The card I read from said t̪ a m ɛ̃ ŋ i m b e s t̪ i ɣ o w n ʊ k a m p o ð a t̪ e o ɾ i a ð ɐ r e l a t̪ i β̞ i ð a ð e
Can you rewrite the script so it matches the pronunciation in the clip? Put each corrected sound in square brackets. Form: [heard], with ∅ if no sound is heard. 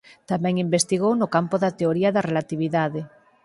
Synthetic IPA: t̪ a m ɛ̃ ŋ i m b e s t̪ i ɣ o w n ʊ k a m p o ð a t̪ e o ɾ i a ð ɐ r e l a t̪ i β̞ i ð a ð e